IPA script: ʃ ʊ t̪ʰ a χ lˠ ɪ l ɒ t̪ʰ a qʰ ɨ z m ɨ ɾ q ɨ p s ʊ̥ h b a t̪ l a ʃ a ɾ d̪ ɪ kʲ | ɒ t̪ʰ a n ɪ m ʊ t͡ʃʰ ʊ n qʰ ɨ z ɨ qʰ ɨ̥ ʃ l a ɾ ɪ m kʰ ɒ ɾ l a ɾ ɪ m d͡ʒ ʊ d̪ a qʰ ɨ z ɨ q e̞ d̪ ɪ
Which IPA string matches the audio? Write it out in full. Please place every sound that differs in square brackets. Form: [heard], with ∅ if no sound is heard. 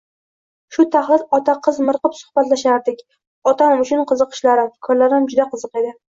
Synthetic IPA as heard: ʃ ʊ t̪ʰ a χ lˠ ɪ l ɒ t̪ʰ a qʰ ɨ z m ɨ ɾ q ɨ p s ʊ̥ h b a t̪ l a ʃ a ɾ d̪ ɪ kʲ | ɒ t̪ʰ a n ɪ m ʊ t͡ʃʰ ʊ n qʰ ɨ z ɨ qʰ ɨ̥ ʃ l a ɾ ɪ m kʰ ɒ ɾ l a ɾ ɪ m d͡ʒ ʊ d̪ a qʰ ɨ z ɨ q e̞ d̪ ɪ